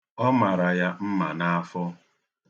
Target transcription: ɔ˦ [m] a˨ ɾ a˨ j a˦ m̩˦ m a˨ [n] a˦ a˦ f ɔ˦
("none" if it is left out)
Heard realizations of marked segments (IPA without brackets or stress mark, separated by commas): m, n